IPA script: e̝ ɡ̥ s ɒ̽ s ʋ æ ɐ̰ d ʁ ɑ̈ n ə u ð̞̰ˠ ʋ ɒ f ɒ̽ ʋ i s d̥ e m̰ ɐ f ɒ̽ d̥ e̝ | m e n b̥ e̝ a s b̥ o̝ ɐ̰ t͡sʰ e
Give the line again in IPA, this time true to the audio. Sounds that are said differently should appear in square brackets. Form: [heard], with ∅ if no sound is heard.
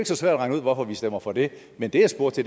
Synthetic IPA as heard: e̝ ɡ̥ s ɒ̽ s ʋ æ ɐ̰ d ʁ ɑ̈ [ŋ] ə u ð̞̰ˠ ʋ ɒ f ɒ̽ ʋ i s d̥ e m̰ ɐ f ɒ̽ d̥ e̝ | m e n [d̥] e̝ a s b̥ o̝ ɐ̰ t͡sʰ e